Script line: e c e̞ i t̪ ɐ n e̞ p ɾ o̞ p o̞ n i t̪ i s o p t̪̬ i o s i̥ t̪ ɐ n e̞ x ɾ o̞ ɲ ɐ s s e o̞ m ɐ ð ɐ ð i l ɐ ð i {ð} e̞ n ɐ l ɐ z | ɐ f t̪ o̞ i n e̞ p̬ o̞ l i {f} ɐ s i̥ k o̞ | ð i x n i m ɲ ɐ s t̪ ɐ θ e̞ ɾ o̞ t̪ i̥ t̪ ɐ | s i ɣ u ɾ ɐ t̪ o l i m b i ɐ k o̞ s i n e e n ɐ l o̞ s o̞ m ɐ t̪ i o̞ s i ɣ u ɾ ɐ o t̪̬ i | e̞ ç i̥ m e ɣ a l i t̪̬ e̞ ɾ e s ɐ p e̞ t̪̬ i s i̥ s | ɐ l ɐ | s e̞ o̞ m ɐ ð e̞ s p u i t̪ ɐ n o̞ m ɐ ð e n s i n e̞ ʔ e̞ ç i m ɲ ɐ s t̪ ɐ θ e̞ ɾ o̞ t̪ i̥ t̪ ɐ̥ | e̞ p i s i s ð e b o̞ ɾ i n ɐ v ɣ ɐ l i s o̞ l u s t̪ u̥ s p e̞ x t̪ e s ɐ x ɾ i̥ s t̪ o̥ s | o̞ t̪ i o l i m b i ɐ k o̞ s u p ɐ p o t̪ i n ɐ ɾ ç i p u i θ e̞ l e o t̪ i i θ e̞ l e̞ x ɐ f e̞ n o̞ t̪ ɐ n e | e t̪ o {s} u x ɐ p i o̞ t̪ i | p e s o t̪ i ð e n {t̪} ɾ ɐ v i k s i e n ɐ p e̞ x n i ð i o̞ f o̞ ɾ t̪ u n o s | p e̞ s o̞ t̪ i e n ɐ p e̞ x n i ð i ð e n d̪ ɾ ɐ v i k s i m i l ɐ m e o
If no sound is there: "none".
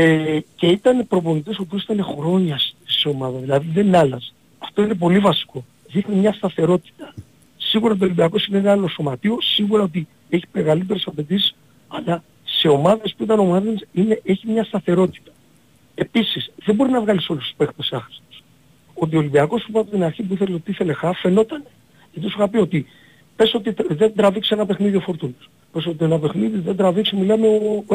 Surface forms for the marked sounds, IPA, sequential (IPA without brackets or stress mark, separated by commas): ð, v, s, d̪